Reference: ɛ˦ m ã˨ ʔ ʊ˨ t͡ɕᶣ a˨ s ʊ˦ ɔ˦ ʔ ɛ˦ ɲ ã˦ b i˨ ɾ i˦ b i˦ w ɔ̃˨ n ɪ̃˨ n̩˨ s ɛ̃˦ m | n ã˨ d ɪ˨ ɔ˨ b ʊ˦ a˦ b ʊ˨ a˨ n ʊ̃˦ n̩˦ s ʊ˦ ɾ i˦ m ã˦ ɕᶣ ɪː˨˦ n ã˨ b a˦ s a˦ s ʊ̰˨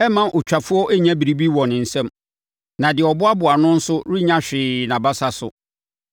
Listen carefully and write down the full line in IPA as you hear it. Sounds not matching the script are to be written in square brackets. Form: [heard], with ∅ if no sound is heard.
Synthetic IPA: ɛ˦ m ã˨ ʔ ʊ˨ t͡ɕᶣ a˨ [f] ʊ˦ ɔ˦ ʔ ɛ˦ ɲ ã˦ b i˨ ɾ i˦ b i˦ w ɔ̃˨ n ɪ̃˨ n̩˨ s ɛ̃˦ m | n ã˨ d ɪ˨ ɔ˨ b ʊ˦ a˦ b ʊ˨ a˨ n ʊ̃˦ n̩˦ s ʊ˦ ɾ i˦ [ɲ] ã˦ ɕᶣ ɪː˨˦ n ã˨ b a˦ s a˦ s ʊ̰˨